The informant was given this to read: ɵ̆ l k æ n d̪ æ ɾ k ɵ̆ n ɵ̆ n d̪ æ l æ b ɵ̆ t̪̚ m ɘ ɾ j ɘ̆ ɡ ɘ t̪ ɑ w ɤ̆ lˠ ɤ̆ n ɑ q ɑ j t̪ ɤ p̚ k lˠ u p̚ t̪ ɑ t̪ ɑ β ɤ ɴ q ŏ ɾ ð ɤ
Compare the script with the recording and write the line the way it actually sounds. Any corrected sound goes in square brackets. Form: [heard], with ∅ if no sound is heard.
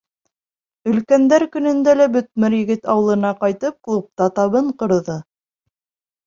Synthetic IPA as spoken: ɵ̆ l k æ n d̪ æ ɾ k ɵ̆ n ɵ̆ n d̪ æ l æ b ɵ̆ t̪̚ m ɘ ɾ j ɘ̆ ɡ ɘ t̪ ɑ w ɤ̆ lˠ ɤ̆ n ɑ q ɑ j t̪ ɤ p̚ k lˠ u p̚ t̪ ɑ t̪ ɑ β ɤ ɴ q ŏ ɾ ð ɤ